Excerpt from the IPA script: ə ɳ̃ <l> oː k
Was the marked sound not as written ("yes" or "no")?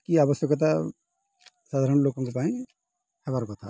no